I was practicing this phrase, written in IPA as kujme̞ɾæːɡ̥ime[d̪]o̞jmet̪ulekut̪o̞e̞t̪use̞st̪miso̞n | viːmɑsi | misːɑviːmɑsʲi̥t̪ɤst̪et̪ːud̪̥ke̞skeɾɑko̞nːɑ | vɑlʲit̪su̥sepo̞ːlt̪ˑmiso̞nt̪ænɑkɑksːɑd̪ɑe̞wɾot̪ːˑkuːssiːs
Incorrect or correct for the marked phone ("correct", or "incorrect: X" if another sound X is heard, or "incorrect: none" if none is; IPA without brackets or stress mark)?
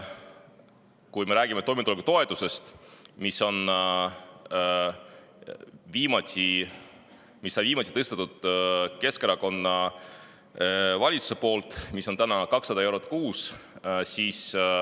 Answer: incorrect: t̪